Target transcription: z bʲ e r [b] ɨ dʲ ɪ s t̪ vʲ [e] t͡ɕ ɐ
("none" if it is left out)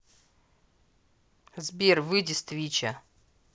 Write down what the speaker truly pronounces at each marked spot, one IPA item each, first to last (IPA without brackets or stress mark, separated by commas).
v, i